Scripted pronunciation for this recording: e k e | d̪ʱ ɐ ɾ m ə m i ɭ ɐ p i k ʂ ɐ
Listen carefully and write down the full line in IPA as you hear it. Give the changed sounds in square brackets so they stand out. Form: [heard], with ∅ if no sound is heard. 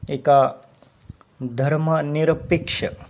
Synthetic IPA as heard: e k [a] | d̪ʱ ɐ ɾ m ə [n] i [ɾ] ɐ p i k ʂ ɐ

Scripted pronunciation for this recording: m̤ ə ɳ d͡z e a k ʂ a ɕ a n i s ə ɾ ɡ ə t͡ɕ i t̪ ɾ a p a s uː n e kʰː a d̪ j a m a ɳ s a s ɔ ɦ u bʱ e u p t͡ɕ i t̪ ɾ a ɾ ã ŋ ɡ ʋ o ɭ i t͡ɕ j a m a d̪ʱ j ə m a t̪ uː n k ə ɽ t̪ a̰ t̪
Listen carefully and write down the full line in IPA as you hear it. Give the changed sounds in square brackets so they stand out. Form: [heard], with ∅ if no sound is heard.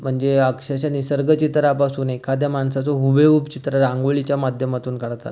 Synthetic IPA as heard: m̤ ə ɳ d͡z e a k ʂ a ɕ a n i s ə ɾ ɡ ə t͡ɕ i t̪ ɾ a p a s uː n e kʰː a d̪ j a m a ɳ s a [t͡s] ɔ ɦ u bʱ e u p t͡ɕ i t̪ ɾ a ɾ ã ŋ ɡ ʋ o ɭ i t͡ɕ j a m a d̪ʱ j ə m a t̪ uː n k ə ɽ t̪ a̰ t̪

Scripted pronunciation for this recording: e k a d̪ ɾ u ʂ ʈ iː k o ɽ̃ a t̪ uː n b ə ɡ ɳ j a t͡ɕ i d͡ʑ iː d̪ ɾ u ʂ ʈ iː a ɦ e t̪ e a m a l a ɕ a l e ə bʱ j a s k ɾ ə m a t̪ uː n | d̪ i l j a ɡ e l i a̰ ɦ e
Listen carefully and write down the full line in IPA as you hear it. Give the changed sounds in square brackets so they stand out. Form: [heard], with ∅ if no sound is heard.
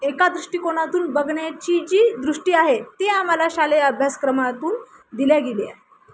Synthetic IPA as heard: e k a d̪ ɾ u ʂ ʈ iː k o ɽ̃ a t̪ uː n b ə ɡ ɳ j a t͡ɕ i d͡ʑ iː d̪ ɾ u ʂ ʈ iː a ɦ e t̪ e a m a l a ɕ a l e ə bʱ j a s k ɾ ə m a t̪ uː n | d̪ i l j a ɡ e l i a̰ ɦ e

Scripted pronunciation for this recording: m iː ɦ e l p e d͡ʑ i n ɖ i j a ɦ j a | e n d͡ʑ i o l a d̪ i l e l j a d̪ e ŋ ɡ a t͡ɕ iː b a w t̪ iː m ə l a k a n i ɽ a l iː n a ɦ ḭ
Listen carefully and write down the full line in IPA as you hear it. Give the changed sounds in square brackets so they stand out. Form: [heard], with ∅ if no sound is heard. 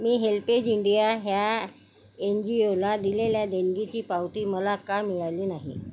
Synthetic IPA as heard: m iː ɦ e l p e d͡ʑ i [ɳ] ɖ i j a ɦ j a | e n d͡ʑ i o l a d̪ i l e l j a d̪ e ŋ ɡ [i] t͡ɕ iː [p] a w t̪ iː m ə l a k a [m] i [ɭ] a l iː n a ɦ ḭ

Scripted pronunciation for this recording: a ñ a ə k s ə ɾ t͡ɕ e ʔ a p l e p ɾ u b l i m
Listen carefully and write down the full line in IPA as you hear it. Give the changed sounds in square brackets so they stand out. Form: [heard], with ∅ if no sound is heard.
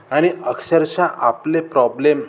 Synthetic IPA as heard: a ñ [i] ə k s ə ɾ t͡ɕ [a] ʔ a p l e p ɾ [ɔ] b l [e] m

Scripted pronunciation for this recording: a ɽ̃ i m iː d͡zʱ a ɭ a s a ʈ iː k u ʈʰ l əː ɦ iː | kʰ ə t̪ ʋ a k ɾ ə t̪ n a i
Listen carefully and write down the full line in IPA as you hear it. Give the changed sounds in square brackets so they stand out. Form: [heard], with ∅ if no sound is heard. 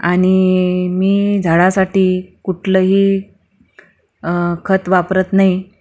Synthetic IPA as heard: a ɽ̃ i m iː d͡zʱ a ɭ a s a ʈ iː k u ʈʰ l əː ɦ iː | kʰ ə t̪ ʋ a [p] ɾ ə t̪ n a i

